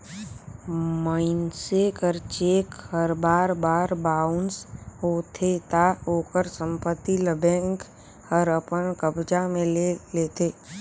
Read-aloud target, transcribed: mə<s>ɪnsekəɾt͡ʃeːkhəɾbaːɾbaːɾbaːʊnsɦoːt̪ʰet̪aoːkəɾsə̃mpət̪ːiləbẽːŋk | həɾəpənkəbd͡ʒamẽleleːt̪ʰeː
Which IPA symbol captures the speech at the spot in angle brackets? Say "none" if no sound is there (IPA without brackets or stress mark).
none